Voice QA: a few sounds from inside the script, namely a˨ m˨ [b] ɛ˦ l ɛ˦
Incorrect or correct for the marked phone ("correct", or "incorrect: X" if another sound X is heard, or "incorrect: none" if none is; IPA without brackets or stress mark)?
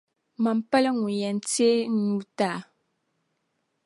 incorrect: p